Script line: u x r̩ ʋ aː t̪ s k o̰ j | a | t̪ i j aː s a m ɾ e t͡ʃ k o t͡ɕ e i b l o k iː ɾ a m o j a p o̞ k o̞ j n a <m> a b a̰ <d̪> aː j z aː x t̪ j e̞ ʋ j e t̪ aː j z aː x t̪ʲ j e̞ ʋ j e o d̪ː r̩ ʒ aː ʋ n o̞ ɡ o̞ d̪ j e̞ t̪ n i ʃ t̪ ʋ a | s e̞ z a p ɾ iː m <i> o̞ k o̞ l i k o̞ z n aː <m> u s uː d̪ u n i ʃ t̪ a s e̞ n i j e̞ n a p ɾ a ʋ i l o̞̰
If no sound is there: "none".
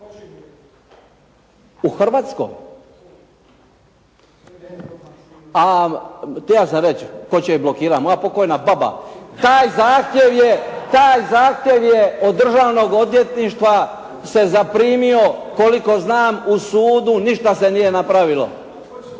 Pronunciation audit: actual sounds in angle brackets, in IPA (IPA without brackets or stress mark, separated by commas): b, t̪, i, m